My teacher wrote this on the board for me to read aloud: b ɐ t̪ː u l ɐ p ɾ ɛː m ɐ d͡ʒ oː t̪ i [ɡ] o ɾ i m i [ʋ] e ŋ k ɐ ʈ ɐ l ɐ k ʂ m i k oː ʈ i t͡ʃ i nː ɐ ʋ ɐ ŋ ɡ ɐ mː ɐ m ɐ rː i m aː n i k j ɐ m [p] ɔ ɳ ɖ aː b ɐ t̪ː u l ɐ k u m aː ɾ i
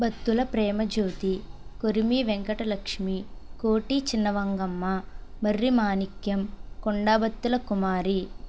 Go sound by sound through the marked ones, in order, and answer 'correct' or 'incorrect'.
incorrect: k, correct, incorrect: k

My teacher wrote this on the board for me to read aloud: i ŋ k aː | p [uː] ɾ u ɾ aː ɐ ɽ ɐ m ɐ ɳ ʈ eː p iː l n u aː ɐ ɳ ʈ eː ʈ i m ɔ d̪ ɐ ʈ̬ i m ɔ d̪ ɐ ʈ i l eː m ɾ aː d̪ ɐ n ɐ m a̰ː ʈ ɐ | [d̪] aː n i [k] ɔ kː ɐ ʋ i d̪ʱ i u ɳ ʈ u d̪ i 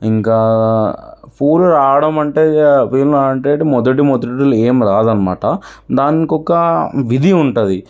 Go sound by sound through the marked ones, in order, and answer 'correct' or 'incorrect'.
correct, correct, correct

